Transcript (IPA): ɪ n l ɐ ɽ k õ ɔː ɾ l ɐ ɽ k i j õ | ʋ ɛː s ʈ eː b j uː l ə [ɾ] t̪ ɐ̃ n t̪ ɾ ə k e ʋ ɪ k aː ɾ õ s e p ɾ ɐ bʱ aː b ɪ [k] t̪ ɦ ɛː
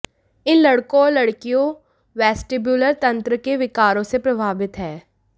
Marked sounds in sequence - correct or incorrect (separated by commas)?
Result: correct, incorrect